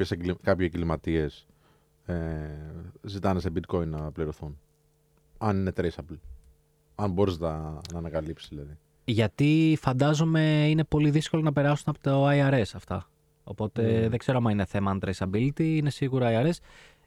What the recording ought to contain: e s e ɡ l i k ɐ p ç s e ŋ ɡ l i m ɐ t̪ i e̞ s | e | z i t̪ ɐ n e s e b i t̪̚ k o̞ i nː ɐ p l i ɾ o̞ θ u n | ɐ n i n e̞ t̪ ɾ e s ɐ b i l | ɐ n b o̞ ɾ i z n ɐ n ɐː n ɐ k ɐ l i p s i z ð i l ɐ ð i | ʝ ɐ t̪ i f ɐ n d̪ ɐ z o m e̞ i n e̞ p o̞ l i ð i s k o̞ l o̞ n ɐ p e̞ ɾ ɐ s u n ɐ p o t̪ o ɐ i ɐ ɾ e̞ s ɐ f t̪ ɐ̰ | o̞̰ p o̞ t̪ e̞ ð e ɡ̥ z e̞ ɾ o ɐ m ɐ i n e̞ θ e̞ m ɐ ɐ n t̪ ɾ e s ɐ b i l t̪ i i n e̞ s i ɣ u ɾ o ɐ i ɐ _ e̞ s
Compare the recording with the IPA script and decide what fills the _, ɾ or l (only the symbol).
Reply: ɾ